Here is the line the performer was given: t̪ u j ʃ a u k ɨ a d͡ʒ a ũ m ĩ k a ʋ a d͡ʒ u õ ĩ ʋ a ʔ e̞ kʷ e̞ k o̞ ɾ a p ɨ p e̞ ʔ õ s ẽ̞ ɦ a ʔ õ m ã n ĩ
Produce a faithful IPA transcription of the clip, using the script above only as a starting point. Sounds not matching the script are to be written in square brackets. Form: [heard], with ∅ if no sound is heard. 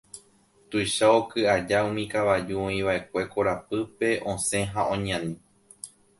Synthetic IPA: t̪ u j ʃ a [o] k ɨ a d͡ʒ a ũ m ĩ k a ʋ a d͡ʒ u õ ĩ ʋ a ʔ e̞ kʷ e̞ k o̞ ɾ a p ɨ p e̞ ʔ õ s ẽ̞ ɦ a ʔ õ [ɲ] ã n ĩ